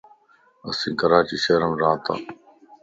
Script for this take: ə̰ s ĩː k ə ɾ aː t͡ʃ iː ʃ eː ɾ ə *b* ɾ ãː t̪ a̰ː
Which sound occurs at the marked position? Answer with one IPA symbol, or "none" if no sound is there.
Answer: m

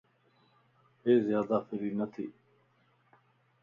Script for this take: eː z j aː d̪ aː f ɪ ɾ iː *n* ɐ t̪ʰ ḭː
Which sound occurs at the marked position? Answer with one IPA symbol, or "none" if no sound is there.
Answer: n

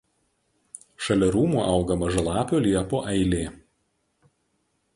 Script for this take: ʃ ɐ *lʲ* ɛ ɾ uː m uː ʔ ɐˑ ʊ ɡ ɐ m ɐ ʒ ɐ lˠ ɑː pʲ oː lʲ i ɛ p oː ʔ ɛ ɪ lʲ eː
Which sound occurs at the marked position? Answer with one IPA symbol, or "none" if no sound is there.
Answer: lʲ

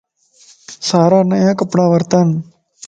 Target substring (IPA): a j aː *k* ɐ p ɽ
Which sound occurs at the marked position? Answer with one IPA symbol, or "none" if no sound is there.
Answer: k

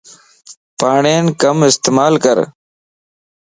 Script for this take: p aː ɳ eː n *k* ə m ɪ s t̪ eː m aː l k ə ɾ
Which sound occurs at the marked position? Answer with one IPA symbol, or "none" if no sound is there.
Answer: k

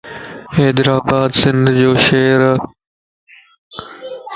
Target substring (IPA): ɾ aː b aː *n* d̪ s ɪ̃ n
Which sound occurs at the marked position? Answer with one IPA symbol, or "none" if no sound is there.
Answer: none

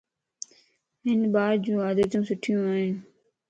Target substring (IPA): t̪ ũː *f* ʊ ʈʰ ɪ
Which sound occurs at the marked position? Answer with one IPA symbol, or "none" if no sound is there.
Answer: s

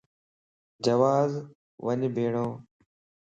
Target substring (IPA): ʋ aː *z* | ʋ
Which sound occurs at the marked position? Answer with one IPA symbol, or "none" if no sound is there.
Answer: z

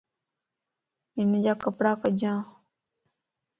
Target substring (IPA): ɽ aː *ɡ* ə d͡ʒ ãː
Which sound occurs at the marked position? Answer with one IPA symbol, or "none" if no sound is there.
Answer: k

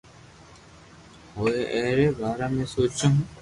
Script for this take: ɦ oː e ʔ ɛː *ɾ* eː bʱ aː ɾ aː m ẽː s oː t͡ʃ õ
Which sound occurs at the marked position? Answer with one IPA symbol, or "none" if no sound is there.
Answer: ɾ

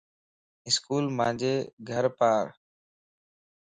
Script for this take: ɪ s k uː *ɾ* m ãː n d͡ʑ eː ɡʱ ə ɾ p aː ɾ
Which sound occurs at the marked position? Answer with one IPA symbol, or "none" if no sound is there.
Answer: l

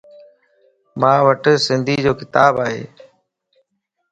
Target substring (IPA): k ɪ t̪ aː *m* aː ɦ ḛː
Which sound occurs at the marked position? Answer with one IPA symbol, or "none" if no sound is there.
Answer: b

